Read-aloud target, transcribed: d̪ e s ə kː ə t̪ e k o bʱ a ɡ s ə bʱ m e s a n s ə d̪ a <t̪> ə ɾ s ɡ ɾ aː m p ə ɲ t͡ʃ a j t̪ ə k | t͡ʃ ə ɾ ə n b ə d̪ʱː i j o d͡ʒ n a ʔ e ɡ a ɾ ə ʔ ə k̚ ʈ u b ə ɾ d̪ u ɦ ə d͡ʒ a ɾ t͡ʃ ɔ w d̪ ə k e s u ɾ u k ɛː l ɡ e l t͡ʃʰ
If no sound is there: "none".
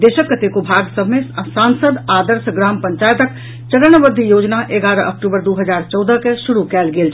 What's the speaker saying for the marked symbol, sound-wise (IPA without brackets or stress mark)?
d̪